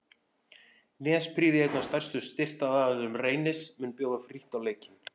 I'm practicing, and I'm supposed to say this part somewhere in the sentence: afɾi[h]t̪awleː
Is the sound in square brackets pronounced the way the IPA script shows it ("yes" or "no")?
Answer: yes